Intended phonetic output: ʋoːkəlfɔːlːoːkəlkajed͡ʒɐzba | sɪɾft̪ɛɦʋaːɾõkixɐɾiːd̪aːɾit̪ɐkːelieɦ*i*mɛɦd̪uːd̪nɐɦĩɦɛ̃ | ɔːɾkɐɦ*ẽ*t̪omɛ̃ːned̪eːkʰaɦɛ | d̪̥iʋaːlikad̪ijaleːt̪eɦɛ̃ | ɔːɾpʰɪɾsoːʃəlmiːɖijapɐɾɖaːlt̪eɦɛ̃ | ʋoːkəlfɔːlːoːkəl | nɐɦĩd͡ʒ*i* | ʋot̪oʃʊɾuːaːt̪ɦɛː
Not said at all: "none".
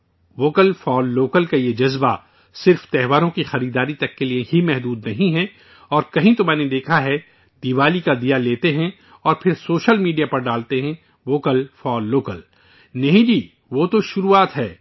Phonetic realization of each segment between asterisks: i, ĩ, iː

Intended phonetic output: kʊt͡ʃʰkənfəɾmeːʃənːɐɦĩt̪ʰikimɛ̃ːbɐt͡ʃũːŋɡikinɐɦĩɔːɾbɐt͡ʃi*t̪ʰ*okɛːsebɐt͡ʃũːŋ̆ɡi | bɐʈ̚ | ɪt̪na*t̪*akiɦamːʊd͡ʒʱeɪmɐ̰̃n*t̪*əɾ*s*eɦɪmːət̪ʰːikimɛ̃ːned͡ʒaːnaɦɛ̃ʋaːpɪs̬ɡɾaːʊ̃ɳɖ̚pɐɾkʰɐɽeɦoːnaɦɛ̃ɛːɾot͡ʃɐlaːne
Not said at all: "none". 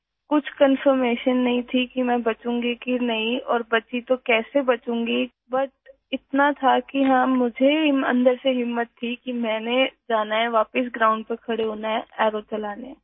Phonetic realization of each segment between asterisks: t̪, t̪ʰ, d̪, s

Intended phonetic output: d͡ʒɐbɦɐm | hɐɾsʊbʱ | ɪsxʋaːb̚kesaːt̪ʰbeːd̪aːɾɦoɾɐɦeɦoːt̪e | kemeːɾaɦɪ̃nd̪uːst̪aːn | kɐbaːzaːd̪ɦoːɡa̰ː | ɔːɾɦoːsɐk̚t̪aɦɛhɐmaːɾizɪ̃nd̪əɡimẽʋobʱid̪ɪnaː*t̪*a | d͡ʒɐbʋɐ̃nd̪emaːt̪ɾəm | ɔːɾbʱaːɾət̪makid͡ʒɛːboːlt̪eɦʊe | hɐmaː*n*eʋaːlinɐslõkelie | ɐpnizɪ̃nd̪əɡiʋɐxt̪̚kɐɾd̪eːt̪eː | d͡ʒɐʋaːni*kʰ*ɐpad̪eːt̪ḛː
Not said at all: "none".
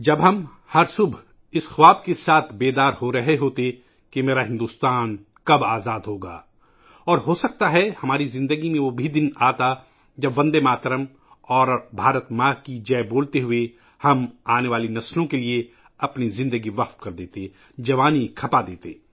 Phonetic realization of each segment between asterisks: t̪, n, kʰ

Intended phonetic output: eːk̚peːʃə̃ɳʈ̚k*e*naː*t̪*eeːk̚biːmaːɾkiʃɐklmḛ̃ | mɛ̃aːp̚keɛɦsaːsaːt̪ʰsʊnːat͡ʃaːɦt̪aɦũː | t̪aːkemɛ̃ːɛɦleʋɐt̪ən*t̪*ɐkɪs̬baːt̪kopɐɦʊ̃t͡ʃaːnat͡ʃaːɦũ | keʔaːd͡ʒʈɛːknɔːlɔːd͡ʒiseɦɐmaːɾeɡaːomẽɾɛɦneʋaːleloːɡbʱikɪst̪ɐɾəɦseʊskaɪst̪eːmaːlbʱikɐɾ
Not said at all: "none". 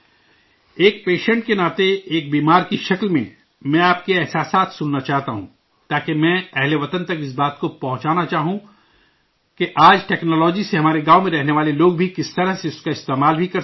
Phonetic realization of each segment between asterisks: e, t̪, t̪

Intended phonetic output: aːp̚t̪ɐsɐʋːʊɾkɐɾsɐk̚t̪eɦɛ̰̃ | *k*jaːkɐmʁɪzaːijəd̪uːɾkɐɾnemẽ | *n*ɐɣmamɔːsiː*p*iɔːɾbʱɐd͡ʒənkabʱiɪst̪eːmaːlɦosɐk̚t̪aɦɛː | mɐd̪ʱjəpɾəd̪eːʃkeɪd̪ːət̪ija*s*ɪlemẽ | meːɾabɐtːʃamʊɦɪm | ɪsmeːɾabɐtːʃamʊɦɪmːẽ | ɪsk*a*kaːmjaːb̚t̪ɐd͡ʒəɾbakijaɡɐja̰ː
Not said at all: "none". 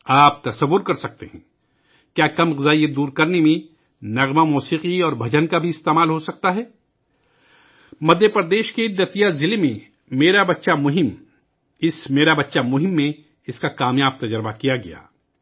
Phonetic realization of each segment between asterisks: k, n, q, z, a

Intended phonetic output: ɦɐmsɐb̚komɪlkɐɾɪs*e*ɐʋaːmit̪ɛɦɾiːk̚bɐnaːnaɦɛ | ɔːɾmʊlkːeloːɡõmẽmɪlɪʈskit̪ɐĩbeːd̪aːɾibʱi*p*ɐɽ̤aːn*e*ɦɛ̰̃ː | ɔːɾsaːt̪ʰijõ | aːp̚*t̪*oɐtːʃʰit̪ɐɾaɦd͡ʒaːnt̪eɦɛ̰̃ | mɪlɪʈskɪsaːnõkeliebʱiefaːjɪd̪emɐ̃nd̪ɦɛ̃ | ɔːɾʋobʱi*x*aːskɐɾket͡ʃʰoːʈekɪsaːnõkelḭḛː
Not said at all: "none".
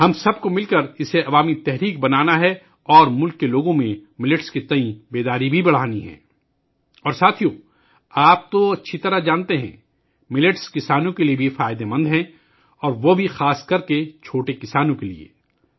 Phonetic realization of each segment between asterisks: e, b, i, t̪, x

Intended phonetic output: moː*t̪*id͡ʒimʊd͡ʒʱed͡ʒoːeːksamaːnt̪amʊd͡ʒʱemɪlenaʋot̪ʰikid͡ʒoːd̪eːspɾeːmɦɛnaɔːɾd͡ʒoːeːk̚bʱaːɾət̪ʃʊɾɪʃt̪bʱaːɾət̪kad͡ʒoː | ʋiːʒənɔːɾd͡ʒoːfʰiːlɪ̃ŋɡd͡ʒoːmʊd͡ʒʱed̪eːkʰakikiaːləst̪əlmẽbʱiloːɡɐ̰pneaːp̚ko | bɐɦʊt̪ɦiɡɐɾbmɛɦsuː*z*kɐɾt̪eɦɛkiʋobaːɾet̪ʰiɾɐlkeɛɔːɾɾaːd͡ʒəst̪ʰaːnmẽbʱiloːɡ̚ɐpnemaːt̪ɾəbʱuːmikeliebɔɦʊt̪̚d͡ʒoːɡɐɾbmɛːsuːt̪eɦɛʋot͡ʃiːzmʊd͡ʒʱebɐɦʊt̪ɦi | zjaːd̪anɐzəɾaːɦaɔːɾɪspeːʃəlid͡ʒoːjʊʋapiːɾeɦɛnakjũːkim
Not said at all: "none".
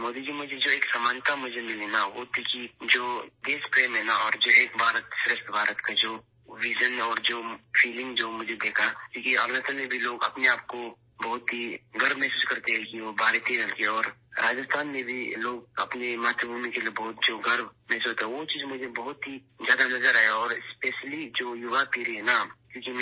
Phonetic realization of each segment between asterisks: d̪, s

